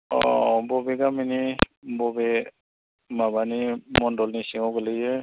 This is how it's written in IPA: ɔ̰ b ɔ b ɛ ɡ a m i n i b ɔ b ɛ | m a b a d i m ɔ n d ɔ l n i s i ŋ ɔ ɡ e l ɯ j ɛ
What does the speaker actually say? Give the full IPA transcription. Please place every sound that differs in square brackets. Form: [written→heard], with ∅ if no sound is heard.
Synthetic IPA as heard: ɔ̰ b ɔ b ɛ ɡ a m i n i b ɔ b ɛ | m a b a [d→n] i m ɔ n d ɔ l n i s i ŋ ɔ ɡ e l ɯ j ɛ